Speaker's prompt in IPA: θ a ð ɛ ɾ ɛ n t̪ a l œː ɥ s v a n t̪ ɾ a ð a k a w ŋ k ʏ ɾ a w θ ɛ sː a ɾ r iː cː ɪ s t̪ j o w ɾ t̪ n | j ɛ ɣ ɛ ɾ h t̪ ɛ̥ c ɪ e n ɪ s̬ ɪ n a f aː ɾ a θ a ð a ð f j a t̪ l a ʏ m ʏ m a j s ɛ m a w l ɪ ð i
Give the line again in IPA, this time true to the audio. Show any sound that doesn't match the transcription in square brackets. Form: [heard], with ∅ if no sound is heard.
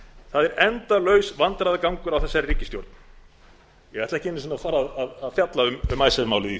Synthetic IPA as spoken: θ a ð ɛ ɾ ɛ n t̪ a l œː ɥ s v a n t̪ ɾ a ð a k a w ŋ k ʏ ɾ a w θ ɛ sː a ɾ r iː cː ɪ s t̪ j o w ɾ t̪ n | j ɛ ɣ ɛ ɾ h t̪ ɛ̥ c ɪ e n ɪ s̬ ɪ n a f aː ɾ a [ð] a ð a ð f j a t̪ l a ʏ m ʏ m a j s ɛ m a w l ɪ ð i